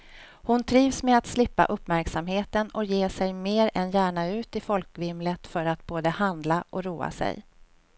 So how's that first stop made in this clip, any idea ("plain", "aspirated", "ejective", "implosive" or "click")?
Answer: aspirated